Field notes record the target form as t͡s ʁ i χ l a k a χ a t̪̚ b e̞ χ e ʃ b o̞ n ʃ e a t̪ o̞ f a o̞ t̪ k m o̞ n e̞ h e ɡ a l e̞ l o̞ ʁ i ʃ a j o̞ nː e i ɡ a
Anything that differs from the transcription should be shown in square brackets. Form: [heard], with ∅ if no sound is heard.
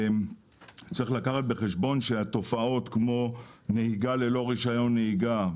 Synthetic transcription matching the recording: t͡s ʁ i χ l a k a χ a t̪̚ b e̞ χ e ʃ b o̞ n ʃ e a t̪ o̞ f a o̞ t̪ k m o̞ n e̞ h [i] ɡ a l e̞ l o̞ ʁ i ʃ a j o̞ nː e i ɡ a